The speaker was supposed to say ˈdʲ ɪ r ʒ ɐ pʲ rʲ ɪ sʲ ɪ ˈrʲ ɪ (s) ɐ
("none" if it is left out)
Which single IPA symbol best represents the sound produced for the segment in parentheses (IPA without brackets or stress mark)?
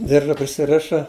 ʃ